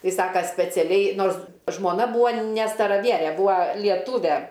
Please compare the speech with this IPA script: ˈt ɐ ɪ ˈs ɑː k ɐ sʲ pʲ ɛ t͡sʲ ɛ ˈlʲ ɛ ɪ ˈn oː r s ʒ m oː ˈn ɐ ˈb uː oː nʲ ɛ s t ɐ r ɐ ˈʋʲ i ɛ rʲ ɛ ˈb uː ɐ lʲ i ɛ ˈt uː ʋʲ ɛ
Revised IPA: ˈt ɐ ɪ ˈs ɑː k ɐ sʲ pʲ ɛ t͡sʲ ɛ ˈlʲ ɛ ɪ ˈn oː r s ʒ m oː ˈn ɐ ˈb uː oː nʲ ɛ s t ɐ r ɐ ˈʋʲ i ɛ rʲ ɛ ˈb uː ɐ lʲ i ɛ ˈt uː ʋʲ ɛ

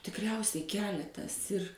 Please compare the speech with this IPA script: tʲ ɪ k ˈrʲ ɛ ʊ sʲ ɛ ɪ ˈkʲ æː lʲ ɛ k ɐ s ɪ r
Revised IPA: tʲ ɪ k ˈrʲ ɛ ʊ sʲ ɛ ɪ ˈkʲ æː lʲ ɛ t ɐ s ɪ r

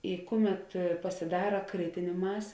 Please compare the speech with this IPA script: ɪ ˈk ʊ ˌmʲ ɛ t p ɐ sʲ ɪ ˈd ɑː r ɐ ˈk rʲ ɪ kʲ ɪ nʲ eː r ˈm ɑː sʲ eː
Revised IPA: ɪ ˈk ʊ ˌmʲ ɛ t p ɐ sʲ ɪ ˈd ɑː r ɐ ˈk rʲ ɪ tʲ ɪ nʲ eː ˈm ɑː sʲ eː

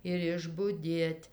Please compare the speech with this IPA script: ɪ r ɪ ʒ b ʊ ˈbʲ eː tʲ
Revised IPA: ɪ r ɪ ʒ b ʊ ˈdʲ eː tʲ

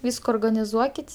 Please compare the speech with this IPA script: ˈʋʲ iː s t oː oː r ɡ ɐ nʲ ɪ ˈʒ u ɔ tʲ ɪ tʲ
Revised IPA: ˈʋʲ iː s k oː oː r ɡ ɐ nʲ ɪ ˈz u ɔ kʲ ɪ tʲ

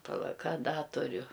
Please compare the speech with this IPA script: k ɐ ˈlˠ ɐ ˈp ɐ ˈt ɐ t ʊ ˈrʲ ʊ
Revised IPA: p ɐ ˈlˠ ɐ ˈk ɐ ˈd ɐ t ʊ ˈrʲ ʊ

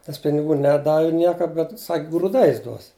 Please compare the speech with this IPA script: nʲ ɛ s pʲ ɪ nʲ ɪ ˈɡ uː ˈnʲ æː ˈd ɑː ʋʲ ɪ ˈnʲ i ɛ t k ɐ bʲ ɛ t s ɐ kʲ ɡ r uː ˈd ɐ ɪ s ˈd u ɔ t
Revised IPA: nʲ ɛ s pʲ ɪ nʲ ɪ ˈɡ uː ˈnʲ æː ˈd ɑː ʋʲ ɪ ˈnʲ i ɛ k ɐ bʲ ɛ t s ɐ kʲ ɡ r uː ˈd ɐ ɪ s ˈd u ɔ s

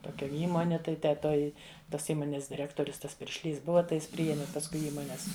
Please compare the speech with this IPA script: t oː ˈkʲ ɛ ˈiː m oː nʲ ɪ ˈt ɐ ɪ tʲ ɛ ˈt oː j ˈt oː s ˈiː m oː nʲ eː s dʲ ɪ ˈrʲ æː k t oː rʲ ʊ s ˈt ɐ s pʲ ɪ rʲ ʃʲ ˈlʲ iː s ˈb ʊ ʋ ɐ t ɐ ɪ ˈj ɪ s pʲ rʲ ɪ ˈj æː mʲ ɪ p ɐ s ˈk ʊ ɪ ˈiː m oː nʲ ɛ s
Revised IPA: t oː ˈkʲ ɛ ˈiː m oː nʲ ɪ ˈt ɐ ɪ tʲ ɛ ˈt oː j ˈt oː s ˈiː m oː nʲ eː s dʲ ɪ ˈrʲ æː k t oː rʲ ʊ s ˈt ɐ s pʲ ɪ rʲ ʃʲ ˈlʲ iː s ˈb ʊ ʋ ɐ t ɐ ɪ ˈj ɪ s pʲ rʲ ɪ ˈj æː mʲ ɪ p ɐ s ˈk ʊ ɪ ˈiː m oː nʲ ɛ s

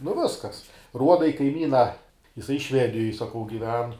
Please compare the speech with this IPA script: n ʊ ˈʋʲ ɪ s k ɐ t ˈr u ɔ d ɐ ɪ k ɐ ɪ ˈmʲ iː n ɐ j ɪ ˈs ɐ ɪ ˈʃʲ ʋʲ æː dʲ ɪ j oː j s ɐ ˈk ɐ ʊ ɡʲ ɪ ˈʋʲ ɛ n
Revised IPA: n ʊ ˈʋʲ ɪ s k ɐ s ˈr u ɔ d ɐ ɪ k ɐ ɪ ˈmʲ iː n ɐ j ɪ ˈs ɐ ɪ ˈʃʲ ʋʲ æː dʲ ɪ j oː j s ɐ ˈk ɐ ʊ ɡʲ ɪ ˈʋʲ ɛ n

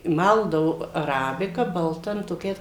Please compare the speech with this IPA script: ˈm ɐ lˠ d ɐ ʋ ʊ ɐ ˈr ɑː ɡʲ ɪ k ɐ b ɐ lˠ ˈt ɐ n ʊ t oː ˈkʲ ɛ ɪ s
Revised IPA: ˈm ɐ lˠ d ɐ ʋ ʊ ɐ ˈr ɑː bʲ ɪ k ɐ b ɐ lˠ ˈt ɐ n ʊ t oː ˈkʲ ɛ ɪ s

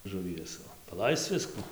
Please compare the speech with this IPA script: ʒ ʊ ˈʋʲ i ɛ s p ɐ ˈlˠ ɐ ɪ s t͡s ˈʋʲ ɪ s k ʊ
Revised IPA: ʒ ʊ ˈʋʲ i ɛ s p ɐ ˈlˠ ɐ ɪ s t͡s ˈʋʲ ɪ s k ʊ

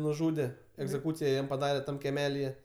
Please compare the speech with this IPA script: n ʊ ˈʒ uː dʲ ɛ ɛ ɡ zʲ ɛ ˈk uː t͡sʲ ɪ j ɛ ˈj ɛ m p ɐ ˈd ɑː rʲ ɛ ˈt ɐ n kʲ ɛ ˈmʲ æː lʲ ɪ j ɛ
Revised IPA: n ʊ ˈʒ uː dʲ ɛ ɛ ɡ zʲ ɛ ˈk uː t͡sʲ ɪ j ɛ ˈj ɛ m p ɐ ˈd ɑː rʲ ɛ ˈt ɐ m kʲ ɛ ˈmʲ æː lʲ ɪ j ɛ

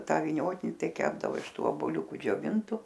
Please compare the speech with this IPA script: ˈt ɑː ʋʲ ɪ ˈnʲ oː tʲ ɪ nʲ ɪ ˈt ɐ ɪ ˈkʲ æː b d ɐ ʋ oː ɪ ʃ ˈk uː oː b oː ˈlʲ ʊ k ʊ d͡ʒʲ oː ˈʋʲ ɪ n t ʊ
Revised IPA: ˈt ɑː ʋʲ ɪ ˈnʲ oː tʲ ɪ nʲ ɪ ˈt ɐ ɪ ˈkʲ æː b d ɐ ʋ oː ɪ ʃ ˈt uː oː b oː ˈlʲ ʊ k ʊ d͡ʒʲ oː ˈʋʲ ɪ n t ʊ

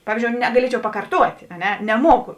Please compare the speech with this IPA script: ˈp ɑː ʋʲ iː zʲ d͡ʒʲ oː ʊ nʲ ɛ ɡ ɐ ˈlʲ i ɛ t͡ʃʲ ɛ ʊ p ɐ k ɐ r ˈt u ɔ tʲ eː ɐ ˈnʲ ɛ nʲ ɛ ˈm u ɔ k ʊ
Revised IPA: ˈp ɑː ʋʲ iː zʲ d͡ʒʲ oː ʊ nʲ ɛ ɡ ɐ ˈlʲ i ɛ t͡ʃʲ ɛ ʊ p ɐ k ɐ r ˈt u ɔ tʲ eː ɐ ˈnʲ ɛ nʲ ɛ ˈm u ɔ k ʊ

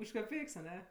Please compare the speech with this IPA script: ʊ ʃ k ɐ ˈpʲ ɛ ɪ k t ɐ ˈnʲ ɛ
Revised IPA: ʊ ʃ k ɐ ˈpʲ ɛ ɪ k s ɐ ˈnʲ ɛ

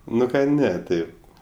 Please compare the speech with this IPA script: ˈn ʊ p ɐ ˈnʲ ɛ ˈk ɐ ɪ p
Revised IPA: ˈn ʊ k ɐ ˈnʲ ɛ ˈt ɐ ɪ p

